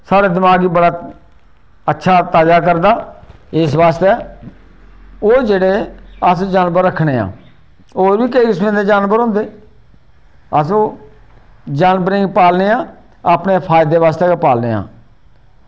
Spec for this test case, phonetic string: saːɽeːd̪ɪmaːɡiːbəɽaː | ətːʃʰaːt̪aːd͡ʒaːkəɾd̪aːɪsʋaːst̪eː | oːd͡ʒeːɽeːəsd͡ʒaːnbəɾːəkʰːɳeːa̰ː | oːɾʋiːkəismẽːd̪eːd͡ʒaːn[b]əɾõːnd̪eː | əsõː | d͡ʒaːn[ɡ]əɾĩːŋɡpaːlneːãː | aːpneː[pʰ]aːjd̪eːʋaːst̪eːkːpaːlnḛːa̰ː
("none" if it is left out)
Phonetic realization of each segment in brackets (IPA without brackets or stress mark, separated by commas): b, b, pʰ